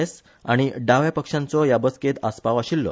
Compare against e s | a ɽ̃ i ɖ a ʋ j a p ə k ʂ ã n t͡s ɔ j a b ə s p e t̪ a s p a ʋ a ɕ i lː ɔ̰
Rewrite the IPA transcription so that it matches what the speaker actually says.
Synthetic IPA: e s | a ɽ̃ i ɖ a ʋ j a p ə k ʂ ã n t͡s ɔ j a b ə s k e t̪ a s p a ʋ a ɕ i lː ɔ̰